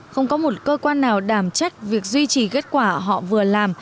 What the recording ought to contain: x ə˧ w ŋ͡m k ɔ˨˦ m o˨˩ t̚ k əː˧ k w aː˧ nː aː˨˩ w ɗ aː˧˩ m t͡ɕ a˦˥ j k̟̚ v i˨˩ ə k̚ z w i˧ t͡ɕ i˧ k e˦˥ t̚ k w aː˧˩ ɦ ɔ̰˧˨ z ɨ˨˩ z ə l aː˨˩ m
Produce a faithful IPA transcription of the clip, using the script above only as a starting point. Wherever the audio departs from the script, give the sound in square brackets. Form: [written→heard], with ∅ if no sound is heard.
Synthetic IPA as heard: x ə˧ w ŋ͡m k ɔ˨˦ m o˨˩ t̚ k əː˧ k w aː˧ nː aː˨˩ w ɗ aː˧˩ m t͡ɕ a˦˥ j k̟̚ v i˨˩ ə k̚ z w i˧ t͡ɕ [i˧→i˨˩] k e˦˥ t̚ k w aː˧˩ ɦ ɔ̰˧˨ [z→v] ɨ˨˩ [z→∅] ə l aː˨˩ m